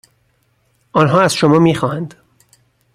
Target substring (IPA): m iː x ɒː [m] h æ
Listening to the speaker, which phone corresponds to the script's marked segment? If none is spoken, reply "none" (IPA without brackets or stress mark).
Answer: none